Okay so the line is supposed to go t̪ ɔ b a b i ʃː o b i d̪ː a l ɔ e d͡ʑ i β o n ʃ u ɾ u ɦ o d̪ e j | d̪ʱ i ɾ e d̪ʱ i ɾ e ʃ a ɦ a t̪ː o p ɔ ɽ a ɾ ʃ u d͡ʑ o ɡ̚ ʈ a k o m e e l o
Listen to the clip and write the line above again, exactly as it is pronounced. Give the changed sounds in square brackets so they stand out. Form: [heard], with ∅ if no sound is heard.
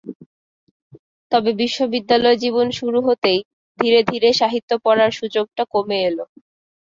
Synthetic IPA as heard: t̪ ɔ b [e] b i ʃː o b i d̪ː a l ɔ e d͡ʑ i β o n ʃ u ɾ u ɦ o [t̪] e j | d̪ʱ i ɾ e d̪ʱ i ɾ e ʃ a ɦ [i] t̪ː o p ɔ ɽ a ɾ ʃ u d͡ʑ o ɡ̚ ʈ a k o m e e l o

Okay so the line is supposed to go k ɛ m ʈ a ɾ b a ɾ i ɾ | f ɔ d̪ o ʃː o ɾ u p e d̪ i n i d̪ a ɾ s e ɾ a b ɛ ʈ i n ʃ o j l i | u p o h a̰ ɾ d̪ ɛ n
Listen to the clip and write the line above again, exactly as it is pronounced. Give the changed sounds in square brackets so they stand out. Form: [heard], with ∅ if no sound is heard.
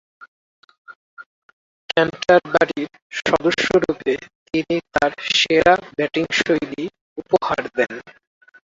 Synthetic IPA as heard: k ɛ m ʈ a ɾ b a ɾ i ɾ | [ʃ] ɔ d̪ o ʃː o ɾ u p e [t̪] i n i [t̪] a ɾ [ʃ] e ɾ a b ɛ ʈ i [ŋ] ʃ o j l i | u p o h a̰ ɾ d̪ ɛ n

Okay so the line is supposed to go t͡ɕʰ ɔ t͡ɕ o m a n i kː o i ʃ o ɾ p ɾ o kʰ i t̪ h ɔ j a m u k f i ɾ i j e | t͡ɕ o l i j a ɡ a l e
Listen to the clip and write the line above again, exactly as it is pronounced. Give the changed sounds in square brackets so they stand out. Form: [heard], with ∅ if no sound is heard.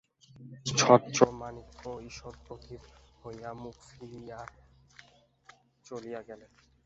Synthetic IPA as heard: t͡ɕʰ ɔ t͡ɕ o m a n i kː o i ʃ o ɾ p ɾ o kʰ i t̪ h [o] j a m u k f i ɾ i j [a] | t͡ɕ o l i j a ɡ [ɛ] l e

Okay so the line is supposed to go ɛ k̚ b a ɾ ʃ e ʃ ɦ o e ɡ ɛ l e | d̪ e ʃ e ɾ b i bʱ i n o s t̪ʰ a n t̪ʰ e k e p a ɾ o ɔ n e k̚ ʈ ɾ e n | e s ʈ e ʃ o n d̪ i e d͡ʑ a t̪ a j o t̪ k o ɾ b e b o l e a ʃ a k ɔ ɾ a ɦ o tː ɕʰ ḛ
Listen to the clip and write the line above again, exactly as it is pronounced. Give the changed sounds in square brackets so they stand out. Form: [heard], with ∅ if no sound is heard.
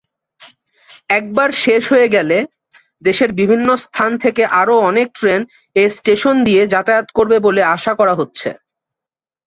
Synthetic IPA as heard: ɛ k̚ b a ɾ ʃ e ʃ ɦ o e ɡ ɛ l e | d̪ e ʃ e ɾ b i bʱ i [nː] o s t̪ʰ a n t̪ʰ e k e [ʔ] a ɾ o ɔ n e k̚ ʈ ɾ e n | e s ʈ e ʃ o n d̪ i e d͡ʑ a t̪ a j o t̪ k o ɾ b e b o l e a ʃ a k ɔ ɾ a ɦ o tː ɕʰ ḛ

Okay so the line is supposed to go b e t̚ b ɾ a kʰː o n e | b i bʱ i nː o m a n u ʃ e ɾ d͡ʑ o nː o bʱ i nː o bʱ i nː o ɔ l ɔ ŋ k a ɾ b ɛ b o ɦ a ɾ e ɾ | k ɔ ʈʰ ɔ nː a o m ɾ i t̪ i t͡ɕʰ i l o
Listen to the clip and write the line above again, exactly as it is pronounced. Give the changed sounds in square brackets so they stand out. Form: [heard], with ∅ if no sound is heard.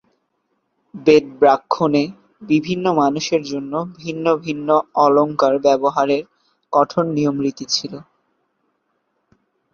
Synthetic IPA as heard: b e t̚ b ɾ a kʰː o n e | b i bʱ i nː o m a n u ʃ e ɾ d͡ʑ o nː o bʱ i nː o bʱ i nː o ɔ l [o] ŋ k a ɾ b ɛ b o ɦ a ɾ e ɾ | k ɔ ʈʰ [o] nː [i] o m ɾ i t̪ i t͡ɕʰ i l o

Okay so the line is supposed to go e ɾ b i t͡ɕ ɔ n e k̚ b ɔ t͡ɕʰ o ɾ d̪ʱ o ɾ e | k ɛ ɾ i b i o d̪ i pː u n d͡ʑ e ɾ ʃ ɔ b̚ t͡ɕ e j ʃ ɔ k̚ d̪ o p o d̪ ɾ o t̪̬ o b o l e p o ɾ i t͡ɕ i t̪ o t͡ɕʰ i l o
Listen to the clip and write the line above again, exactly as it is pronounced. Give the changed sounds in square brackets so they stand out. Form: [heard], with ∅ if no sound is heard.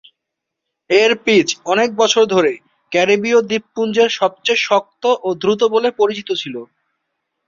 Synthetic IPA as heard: e ɾ [p] i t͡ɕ ɔ n e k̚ b ɔ t͡ɕʰ o ɾ d̪ʱ o ɾ e | k ɛ ɾ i b i o d̪ i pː u n d͡ʑ e ɾ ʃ ɔ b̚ t͡ɕ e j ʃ ɔ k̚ [t̪] o [ʔ] o d̪ ɾ [u] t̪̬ o b o l e p o ɾ i t͡ɕ i t̪ o t͡ɕʰ i l o

